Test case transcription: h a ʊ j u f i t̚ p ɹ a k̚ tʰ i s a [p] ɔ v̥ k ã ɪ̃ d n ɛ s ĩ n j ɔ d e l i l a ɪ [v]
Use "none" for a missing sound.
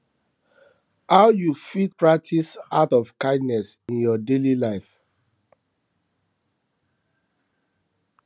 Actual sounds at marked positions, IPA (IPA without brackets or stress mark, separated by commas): t, f